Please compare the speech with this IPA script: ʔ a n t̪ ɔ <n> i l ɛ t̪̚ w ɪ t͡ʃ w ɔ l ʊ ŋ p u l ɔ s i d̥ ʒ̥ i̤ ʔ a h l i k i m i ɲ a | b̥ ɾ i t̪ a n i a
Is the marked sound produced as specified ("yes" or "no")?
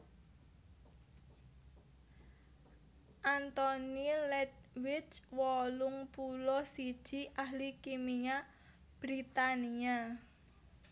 yes